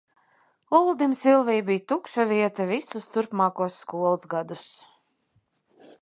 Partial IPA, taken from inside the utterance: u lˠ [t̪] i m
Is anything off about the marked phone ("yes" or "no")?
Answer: yes